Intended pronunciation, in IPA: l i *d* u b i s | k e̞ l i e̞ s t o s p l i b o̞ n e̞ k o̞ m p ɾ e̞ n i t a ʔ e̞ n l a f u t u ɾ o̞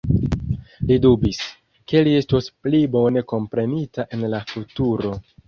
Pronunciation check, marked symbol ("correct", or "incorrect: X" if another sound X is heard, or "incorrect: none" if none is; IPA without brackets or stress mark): correct